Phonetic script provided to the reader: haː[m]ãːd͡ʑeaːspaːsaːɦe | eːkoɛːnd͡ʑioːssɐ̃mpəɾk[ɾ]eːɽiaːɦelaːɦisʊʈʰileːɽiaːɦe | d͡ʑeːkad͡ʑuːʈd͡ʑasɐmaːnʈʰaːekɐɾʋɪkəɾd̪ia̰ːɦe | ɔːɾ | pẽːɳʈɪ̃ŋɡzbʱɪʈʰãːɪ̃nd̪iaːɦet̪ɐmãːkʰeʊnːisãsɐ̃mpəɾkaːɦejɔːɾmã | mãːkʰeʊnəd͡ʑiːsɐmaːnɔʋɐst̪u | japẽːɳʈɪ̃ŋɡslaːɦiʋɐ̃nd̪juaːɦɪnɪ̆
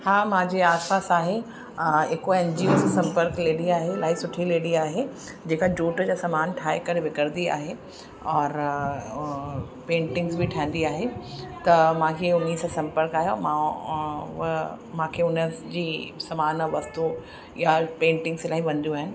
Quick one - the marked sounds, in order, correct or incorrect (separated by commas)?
correct, incorrect